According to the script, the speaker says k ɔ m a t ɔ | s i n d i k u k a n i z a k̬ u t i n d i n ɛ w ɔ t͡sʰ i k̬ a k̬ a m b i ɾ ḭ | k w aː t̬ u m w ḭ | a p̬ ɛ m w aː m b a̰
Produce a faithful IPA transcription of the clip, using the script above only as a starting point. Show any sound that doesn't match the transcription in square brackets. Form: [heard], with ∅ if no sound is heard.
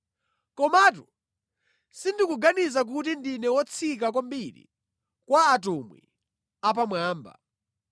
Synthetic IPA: k ɔ m a t [u] | s i n d i k u [ɡ] a n i z a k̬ u t i n d i n ɛ w ɔ t͡sʰ i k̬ a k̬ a m b i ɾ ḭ | k w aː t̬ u m w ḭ | a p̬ [a] m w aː m b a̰